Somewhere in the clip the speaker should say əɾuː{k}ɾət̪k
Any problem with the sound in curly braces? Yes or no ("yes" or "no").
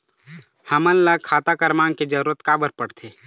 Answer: yes